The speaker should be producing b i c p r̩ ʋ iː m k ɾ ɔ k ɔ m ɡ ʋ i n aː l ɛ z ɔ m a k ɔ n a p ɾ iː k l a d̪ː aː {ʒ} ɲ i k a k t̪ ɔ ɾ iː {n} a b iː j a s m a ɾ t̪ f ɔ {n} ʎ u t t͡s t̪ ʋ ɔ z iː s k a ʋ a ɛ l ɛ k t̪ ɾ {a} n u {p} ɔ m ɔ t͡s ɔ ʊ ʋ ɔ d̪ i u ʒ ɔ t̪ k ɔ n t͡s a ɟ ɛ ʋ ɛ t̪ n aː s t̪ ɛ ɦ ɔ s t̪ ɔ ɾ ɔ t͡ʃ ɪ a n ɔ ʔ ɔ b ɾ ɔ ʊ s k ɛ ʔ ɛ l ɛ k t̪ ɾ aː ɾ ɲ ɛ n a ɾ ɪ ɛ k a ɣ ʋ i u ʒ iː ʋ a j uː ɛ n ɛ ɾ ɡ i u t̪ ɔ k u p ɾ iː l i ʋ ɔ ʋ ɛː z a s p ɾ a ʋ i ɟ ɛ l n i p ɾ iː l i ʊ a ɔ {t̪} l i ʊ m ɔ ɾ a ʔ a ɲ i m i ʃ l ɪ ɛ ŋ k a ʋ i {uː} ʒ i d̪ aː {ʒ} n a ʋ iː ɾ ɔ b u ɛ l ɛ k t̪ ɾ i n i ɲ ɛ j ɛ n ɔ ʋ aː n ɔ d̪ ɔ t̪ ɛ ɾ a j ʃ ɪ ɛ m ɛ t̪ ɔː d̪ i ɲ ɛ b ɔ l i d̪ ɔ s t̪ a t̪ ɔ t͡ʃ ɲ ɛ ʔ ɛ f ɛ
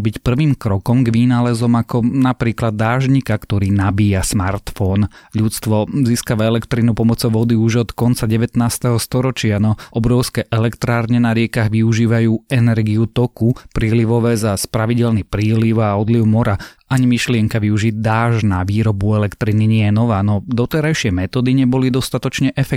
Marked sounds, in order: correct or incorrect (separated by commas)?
correct, correct, correct, incorrect, correct, incorrect, incorrect, correct